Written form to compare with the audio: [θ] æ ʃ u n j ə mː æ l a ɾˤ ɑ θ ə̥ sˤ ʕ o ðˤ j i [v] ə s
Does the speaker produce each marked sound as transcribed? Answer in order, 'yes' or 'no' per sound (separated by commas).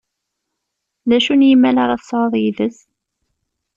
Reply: no, no